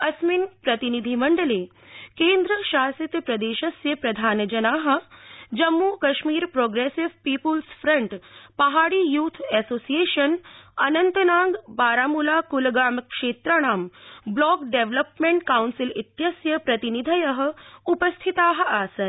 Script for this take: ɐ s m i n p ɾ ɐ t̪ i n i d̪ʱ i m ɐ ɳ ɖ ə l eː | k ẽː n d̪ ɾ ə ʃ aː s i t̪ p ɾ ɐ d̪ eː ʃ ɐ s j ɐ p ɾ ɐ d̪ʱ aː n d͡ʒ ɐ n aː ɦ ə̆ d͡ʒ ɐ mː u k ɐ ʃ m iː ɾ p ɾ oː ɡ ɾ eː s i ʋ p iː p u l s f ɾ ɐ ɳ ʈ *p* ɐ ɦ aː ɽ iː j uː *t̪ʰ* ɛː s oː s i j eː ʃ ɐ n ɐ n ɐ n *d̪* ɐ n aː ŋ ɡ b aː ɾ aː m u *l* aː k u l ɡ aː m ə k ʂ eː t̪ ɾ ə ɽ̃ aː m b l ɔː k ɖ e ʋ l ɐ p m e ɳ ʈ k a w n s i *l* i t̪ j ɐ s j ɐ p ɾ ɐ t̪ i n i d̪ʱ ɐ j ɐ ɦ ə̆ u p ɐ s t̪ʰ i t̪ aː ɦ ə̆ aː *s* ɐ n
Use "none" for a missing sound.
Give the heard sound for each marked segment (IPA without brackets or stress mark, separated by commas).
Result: p, t̪ʰ, t̪, l, l, s